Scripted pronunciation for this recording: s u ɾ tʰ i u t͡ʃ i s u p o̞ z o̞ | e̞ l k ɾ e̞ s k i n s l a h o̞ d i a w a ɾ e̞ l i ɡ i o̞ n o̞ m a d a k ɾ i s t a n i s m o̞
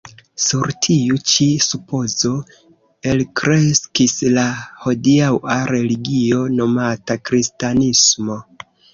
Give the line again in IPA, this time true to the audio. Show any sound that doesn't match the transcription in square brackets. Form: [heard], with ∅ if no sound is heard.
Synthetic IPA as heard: s u ɾ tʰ i u t͡ʃ i s u p o̞ z o̞ | e̞ l k ɾ e̞ s k i [∅] s l a h o̞ d i a w a ɾ e̞ l i ɡ i o̞ n o̞ m a [t] a k ɾ i s t a n i s m o̞